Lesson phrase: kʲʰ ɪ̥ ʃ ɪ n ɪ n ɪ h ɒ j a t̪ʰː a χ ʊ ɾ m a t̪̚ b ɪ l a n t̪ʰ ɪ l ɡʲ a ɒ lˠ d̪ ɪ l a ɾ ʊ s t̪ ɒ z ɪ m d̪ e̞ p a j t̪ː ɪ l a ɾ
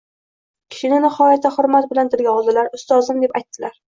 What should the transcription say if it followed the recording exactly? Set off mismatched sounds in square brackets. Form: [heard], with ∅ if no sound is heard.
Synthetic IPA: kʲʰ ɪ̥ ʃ ɪ n ɪ n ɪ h ɒ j a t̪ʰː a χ ʊ ɾ m a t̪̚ b ɪ l a n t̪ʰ ɪ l ɡʲ a ɒ lˠ d̪ ɪ l a ɾ ʊ s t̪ ɒ z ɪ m d̪ e̞ p a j t̪ː ɪ l a ɾ